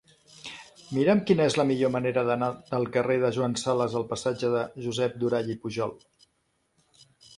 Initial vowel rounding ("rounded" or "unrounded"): unrounded